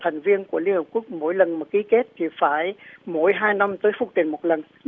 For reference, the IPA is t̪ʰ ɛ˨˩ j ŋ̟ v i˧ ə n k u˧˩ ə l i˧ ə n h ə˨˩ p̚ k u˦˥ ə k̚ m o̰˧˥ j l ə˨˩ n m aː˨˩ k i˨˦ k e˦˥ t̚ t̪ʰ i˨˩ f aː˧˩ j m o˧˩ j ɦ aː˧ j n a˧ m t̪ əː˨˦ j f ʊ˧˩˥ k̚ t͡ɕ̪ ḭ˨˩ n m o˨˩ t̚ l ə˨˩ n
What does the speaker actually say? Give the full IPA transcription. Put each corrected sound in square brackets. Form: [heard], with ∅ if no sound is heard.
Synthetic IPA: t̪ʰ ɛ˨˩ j ŋ̟ v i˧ ə n k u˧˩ ə l i˧ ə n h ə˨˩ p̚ k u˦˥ ə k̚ m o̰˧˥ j l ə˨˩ n m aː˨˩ k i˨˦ k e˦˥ t̚ t̪ʰ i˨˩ f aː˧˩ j m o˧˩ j ɦ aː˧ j n a˧ m t̪ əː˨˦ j f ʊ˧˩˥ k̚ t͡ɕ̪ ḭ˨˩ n m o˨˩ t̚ l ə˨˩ n